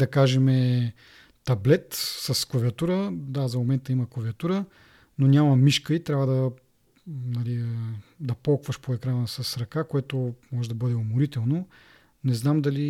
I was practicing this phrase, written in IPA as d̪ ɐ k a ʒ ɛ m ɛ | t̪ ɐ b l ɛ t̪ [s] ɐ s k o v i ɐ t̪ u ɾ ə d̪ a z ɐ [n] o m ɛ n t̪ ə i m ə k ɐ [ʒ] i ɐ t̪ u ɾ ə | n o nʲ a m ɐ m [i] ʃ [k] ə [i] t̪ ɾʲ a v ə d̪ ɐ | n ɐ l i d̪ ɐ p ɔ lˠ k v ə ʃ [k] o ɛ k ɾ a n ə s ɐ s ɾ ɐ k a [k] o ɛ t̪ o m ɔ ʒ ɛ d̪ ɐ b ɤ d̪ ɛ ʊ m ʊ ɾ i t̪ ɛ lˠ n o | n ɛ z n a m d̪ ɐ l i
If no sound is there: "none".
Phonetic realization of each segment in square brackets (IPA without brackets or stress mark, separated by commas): s, m, v, i, k, i, p, k